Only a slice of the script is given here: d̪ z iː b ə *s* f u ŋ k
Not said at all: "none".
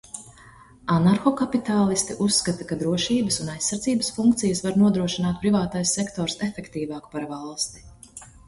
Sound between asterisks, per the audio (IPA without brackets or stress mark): s